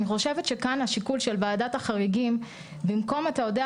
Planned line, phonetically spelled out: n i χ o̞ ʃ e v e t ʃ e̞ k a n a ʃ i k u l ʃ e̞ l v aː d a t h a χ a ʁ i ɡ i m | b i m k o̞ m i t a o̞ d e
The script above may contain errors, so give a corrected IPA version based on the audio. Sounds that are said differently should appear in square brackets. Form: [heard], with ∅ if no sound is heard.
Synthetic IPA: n i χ o̞ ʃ e v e t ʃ e̞ k a n a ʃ i k u l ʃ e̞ l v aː d a t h a χ a ʁ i ɡ i m | b i m k o̞ m [a] t a o̞ d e

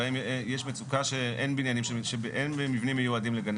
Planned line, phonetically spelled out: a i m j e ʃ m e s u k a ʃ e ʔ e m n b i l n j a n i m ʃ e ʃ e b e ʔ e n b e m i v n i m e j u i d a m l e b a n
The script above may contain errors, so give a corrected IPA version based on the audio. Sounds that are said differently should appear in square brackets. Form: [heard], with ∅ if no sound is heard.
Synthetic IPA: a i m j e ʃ m e [t͡s] u k a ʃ e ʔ e [∅] n b i [∅] n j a n i m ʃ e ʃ e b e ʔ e n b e m i v n i m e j u [a] d [i] m l e [ɡ] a n

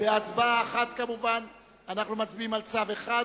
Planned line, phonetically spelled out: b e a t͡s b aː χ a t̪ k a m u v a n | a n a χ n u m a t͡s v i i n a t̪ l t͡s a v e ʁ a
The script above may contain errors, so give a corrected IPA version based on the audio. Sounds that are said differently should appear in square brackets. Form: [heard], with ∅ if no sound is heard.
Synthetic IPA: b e a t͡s b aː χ a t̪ k a m u v a n | a n a χ n u m a t͡s [b] i i [m] a [∅] l t͡s a v e [χ] a

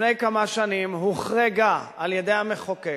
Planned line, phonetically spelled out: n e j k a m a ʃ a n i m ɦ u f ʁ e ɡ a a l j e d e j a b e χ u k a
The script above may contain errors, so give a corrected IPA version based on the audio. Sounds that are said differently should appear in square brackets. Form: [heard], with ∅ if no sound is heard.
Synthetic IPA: n e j k a m a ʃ a n i m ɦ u [χ] ʁ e ɡ a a l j e d e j a [m] e χ [o] k [e]

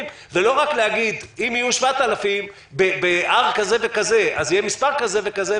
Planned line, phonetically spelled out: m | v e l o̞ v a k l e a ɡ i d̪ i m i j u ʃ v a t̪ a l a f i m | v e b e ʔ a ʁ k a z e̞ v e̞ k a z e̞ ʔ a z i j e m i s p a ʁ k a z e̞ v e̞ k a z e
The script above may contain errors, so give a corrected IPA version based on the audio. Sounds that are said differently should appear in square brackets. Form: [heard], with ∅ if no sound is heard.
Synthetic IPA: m | v e l o̞ [ʁ] a k l e a ɡ i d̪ i m i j u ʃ v a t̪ a l a f i m | [b] e b e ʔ a ʁ k a z e̞ v e̞ k a z e̞ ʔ a z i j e m i s p a ʁ k a z e̞ v e̞ k a z e

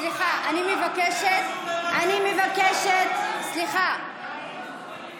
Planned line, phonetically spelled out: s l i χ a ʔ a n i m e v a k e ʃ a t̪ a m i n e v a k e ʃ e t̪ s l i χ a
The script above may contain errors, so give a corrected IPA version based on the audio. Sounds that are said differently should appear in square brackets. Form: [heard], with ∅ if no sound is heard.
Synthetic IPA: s l i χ a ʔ a n i m e v a k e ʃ [e] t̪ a [n] i [m] e v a k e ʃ e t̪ s l i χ a

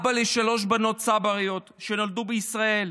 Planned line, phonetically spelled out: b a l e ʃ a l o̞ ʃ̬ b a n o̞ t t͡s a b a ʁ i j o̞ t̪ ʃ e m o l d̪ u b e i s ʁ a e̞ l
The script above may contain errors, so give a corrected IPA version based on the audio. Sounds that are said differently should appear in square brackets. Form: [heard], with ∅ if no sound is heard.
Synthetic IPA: b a l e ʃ a l o̞ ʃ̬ b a n o̞ t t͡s a b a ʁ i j o̞ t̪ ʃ e [n] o l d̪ u b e i s ʁ a e̞ l

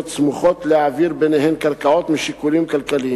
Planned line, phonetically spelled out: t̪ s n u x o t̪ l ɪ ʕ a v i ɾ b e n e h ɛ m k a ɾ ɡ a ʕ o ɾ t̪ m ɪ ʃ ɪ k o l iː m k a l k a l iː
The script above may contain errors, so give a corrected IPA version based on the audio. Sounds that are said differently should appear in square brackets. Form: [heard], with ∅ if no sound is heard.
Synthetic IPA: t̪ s [m] u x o t̪ l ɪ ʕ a v i ɾ b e n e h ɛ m k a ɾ [k] a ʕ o [∅] t̪ m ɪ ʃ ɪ k [u] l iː m k a l k a l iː

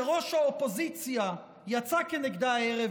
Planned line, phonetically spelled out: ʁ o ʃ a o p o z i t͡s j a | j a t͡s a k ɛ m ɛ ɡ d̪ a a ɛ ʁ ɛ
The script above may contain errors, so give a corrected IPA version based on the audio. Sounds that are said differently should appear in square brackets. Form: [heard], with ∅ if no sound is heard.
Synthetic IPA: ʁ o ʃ a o p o z i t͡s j a | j a t͡s a k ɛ [n] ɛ ɡ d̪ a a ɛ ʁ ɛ

